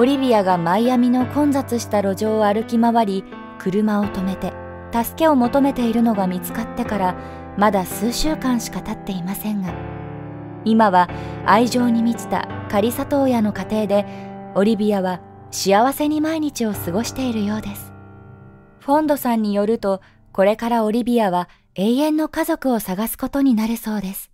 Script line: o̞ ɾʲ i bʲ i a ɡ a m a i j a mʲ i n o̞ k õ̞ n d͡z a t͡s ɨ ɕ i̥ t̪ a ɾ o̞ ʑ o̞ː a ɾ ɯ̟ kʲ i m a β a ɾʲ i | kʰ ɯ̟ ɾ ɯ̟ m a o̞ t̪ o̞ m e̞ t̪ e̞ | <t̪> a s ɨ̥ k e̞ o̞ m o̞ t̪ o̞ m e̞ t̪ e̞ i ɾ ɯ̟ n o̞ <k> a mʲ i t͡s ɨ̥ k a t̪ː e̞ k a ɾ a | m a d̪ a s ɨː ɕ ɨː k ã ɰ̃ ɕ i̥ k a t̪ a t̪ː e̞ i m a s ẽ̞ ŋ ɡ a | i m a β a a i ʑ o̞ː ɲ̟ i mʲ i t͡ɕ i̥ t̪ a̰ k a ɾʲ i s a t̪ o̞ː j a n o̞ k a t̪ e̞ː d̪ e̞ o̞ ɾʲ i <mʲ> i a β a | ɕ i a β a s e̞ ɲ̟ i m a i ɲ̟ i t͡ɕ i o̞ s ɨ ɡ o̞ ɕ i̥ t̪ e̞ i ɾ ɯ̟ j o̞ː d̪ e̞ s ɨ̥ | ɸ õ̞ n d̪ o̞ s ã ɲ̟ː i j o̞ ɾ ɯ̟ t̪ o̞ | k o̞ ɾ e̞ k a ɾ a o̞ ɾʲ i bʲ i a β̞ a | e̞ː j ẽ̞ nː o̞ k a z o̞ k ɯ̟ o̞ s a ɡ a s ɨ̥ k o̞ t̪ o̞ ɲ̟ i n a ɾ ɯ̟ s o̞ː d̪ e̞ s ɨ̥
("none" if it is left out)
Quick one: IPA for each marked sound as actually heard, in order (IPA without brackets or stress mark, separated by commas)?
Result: t̪, ɡ, bʲ